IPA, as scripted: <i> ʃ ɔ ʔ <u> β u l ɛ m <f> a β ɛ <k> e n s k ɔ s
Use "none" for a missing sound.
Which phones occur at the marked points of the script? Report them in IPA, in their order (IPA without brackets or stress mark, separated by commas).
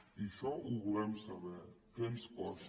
i, u, s, k